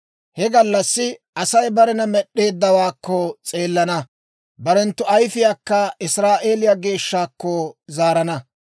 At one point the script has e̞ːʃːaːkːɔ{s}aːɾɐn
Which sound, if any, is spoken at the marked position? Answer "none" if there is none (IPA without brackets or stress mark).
z